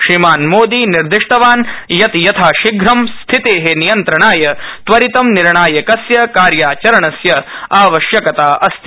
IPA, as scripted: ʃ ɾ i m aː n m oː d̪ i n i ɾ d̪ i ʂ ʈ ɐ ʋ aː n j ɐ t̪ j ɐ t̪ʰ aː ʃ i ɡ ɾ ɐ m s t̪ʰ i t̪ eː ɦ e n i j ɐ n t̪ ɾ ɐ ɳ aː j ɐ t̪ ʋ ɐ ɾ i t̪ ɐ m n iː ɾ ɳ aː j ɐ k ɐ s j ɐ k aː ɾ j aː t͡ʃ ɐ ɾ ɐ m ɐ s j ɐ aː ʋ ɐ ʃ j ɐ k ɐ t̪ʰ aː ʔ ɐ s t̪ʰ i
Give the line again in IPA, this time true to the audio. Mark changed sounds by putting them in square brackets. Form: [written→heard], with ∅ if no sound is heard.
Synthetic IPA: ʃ ɾ i m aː n m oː d̪ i n i ɾ d̪ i ʂ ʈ ɐ ʋ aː n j ɐ t̪ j ɐ t̪ʰ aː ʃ i ɡ ɾ ɐ m s t̪ʰ i t̪ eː ɦ e n i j ɐ n t̪ ɾ ɐ ɳ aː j ɐ t̪ ʋ ɐ ɾ i t̪ ɐ m n [iː→i] ɾ ɳ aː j ɐ k ɐ s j ɐ k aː ɾ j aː t͡ʃ ɐ ɾ ɐ [m→ɳ] ɐ s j ɐ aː ʋ ɐ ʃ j ɐ k ɐ [t̪ʰ→t̪] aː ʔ ɐ s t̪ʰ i